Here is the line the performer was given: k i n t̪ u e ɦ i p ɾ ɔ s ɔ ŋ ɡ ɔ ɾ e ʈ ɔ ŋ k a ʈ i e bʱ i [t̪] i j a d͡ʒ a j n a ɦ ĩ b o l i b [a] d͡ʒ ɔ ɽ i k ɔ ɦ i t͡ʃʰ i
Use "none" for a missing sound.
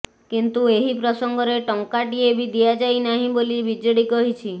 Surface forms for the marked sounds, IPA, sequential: d̪, i

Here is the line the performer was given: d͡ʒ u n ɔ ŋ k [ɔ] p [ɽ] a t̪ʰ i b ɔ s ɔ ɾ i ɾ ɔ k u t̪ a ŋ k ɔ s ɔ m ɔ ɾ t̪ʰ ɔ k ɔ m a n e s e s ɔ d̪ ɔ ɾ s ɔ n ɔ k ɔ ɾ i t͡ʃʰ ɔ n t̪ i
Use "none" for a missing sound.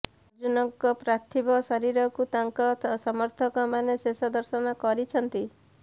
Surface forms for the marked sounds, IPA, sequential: ɔ, ɾ

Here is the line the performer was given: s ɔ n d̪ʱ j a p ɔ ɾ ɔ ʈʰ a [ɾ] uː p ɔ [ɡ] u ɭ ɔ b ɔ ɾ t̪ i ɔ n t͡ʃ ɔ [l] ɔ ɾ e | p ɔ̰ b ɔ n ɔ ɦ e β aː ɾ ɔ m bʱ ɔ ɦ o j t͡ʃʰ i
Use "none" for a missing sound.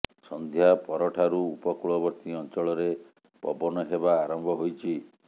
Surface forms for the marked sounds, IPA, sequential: ɾ, k, ɭ

